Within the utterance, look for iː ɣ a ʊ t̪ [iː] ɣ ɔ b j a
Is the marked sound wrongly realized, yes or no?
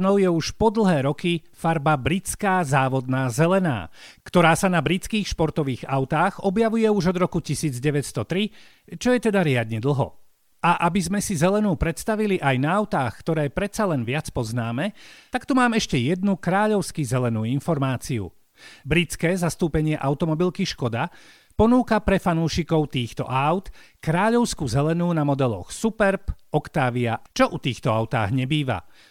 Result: yes